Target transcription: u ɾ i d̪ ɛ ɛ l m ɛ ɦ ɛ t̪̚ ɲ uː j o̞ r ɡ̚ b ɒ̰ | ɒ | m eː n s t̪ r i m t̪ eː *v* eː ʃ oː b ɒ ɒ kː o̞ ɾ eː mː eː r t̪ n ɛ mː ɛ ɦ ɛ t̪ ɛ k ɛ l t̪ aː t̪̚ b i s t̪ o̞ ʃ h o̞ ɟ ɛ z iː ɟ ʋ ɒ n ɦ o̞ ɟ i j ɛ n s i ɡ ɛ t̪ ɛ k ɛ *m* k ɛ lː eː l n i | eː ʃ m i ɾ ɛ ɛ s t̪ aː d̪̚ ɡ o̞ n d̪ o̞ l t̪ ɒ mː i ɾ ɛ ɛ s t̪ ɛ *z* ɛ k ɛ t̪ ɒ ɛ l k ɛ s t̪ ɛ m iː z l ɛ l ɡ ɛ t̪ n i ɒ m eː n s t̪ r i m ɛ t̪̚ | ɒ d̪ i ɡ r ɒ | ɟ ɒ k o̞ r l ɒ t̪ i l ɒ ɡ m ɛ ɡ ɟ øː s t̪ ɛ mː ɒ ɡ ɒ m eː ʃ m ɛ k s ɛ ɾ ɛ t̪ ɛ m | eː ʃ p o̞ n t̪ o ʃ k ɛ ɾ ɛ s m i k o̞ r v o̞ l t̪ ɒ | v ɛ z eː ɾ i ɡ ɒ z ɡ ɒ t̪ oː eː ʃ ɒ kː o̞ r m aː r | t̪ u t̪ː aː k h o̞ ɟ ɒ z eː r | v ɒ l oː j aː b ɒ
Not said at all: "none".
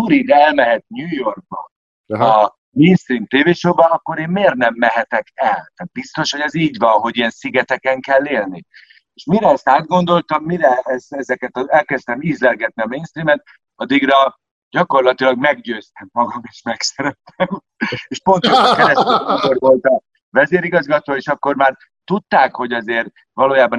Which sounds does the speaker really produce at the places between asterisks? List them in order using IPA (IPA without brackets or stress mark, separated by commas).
v, ŋ, z